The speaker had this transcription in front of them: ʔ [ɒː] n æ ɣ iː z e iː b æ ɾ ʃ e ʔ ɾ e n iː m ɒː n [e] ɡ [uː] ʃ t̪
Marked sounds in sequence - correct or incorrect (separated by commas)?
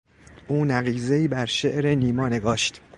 incorrect, correct, incorrect